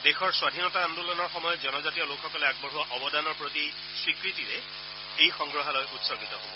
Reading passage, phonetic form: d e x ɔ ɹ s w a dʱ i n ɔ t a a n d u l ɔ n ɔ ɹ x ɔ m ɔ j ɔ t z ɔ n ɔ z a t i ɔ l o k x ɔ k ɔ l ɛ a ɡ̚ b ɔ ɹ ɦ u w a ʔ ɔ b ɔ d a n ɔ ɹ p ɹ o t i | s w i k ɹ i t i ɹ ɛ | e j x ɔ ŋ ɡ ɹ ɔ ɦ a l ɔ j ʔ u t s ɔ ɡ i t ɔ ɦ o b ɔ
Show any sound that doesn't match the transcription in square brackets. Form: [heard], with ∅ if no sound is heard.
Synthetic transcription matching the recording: d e x ɔ ɹ s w a dʱ i n ɔ t a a n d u l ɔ n ɔ ɹ x ɔ m ɔ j ɔ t z ɔ n ɔ z a t i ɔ l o k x ɔ k ɔ l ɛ a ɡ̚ b ɔ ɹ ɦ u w a ʔ ɔ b ɔ d a n ɔ ɹ p ɹ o t i | s w i k ɹ i t i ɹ ɛ | e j x ɔ ŋ ɡ ɹ ɔ ɦ a l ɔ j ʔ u t s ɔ ɡ i t ɔ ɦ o b ɔ